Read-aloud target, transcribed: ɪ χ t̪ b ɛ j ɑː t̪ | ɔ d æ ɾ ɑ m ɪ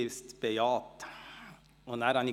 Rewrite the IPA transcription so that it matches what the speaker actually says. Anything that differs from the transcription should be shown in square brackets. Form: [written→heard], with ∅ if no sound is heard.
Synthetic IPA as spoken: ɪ [χ→s] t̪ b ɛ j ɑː t̪ | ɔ [d→n] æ ɾ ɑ [m→n] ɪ